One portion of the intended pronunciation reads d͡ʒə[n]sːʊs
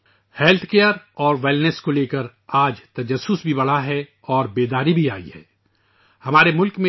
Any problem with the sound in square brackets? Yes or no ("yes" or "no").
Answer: yes